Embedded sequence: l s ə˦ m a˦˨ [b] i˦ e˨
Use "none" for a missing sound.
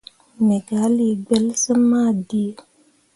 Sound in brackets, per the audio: d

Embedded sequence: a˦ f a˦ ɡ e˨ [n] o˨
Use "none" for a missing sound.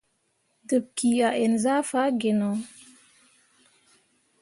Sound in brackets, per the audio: n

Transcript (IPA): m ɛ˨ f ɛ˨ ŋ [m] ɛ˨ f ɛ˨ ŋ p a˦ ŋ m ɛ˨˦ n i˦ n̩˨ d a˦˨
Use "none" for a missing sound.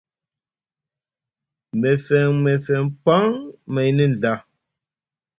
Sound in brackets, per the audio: m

